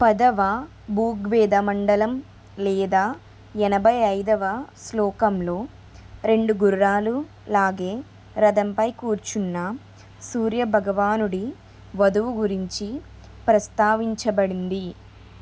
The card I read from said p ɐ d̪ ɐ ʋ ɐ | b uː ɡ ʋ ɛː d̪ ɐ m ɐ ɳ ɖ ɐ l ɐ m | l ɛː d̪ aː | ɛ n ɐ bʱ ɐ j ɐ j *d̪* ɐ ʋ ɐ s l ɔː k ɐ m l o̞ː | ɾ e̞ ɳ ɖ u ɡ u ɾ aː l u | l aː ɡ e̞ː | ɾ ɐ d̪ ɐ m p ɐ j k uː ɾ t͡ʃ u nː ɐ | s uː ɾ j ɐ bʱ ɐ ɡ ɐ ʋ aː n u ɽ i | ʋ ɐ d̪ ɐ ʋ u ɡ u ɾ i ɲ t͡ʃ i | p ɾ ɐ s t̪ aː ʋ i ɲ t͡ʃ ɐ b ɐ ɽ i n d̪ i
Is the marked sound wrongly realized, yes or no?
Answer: no